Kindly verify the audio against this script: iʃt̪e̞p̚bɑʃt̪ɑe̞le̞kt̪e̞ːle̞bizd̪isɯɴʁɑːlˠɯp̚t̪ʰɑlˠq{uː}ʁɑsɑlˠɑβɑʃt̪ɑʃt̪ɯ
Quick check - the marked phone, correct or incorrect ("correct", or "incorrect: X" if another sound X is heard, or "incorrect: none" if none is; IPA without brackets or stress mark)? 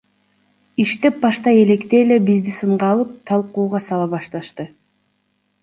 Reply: correct